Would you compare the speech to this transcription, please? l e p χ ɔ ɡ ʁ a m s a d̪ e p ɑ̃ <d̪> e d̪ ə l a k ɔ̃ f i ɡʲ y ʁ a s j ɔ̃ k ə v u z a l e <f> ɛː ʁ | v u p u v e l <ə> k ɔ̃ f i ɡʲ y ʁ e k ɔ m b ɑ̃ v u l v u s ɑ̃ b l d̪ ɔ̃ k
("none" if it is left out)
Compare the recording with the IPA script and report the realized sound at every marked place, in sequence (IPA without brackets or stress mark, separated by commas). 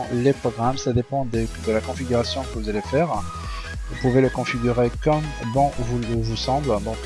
d̪, f, ə